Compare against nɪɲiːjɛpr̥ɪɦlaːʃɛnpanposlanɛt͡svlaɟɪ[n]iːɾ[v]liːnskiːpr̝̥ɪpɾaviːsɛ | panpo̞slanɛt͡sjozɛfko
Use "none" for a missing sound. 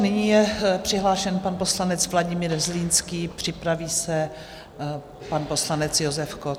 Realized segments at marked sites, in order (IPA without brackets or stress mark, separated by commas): m, z